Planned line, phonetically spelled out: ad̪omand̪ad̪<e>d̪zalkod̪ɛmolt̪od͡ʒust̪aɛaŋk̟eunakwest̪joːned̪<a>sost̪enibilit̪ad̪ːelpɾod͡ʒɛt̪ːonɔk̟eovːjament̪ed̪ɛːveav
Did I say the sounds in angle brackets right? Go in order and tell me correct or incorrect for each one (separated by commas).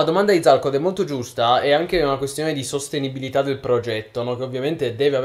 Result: incorrect, incorrect